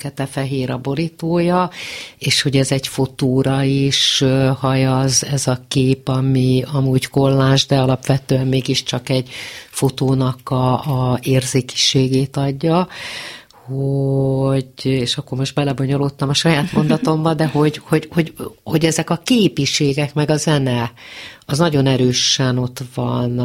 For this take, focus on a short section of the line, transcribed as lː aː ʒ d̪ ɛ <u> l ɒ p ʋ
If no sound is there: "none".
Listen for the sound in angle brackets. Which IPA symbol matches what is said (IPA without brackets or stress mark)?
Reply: ɒ